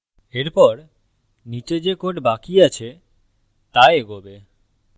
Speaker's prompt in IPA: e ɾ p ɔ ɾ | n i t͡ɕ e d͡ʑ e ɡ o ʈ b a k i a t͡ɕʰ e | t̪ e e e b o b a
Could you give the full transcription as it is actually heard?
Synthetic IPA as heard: e ɾ p ɔ ɾ | n i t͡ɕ e d͡ʑ e k o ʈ b a k i a t͡ɕʰ e | t̪ a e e ɡ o b e